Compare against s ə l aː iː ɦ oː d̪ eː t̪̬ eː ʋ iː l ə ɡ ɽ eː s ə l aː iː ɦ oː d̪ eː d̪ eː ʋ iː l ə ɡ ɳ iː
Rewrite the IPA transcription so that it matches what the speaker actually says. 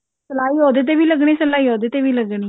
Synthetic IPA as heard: s ə l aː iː ɦ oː d̪ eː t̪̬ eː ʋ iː l ə ɡ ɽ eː s ə l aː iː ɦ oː d̪ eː t̪ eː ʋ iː l ə ɡ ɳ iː